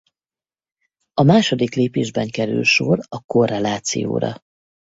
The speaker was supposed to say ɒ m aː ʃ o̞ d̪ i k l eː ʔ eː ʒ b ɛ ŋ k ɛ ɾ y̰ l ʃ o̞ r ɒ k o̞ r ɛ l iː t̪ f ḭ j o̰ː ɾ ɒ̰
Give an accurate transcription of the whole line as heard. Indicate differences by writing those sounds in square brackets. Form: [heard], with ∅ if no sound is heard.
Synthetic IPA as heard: ɒ m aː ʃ o̞ d̪ i k l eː [p] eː ʒ b ɛ ŋ k ɛ ɾ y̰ l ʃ o̞ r ɒ k o̞ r ɛ l [aː] t̪ [s] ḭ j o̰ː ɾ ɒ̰